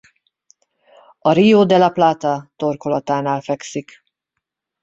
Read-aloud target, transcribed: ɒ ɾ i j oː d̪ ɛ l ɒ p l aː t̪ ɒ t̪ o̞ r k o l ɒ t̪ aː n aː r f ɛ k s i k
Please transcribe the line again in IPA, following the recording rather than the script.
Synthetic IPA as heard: ɒ ɾ i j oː d̪ ɛ l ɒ p l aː t̪ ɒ t̪ o̞ r k o l ɒ t̪ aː n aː l f ɛ k s i k